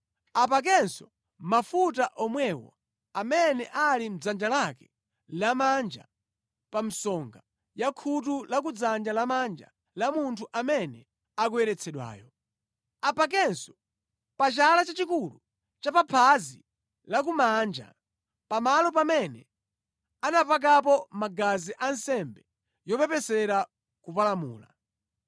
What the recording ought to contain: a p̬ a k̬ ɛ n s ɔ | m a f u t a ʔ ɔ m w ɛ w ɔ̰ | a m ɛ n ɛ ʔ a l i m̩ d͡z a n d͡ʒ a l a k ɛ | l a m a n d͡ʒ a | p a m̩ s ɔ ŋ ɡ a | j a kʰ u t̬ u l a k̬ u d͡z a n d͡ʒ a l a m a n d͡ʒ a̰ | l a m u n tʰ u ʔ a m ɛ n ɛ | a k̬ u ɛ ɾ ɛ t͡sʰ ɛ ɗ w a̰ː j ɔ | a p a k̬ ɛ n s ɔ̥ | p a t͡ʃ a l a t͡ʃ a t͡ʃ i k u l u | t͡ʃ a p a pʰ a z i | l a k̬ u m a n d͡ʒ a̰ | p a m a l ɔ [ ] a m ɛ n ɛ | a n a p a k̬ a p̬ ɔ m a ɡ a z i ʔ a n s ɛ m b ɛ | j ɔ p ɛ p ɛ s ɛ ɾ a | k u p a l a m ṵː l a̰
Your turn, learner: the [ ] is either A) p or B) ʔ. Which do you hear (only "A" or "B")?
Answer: A